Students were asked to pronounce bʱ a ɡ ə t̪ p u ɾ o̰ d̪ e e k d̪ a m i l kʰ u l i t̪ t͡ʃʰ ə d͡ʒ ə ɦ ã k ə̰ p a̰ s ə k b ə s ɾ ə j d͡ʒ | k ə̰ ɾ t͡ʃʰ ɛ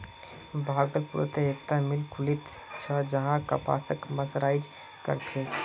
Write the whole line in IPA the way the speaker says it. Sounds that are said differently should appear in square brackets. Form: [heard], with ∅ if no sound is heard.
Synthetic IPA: bʱ a ɡ ə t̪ p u ɾ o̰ [t̪] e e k [t̪] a m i l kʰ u l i t̪ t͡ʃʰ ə d͡ʒ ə ɦ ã k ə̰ p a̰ s ə k [m] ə s ɾ [a] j d͡ʒ | k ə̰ ɾ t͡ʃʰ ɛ